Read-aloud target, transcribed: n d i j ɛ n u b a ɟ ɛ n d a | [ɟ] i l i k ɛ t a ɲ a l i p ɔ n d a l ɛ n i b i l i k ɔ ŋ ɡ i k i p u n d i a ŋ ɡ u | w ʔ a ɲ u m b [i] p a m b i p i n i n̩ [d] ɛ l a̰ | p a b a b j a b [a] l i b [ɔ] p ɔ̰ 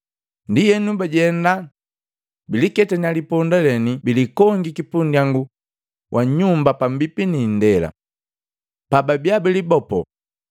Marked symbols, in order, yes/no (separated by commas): no, no, yes, no, yes